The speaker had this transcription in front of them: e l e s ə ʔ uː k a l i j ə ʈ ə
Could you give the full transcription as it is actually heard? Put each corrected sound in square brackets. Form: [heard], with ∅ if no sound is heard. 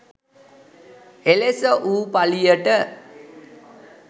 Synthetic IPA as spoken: e l e s ə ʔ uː [p] a l i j ə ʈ ə